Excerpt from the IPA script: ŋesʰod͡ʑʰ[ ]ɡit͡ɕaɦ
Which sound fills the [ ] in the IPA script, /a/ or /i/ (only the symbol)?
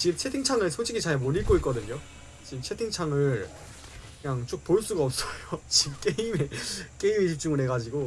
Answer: i